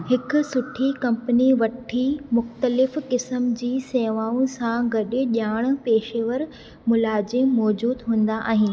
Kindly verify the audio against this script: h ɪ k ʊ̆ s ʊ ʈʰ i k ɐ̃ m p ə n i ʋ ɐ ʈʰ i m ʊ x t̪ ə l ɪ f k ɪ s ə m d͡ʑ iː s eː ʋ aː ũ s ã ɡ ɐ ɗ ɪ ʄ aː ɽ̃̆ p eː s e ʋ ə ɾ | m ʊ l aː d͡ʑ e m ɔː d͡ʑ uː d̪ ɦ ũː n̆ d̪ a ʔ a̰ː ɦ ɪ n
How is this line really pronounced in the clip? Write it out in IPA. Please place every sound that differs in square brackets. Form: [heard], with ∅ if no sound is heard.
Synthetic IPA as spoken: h ɪ k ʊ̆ s ʊ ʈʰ i k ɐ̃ m p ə n i ʋ ɐ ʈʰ i m ʊ x t̪ ə l ɪ f k ɪ s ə m d͡ʑ iː s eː ʋ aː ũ s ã ɡ ɐ ɗ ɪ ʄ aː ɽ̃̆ p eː [ʃ] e ʋ ə ɾ | m ʊ l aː d͡ʑ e m ɔː d͡ʑ uː d̪ ɦ ũː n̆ d̪ a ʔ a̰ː ɦ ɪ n